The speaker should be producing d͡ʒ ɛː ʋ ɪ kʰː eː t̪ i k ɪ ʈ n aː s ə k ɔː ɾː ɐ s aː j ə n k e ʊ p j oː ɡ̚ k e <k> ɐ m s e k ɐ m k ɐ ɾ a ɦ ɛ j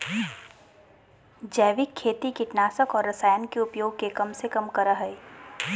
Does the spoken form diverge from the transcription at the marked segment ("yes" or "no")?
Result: no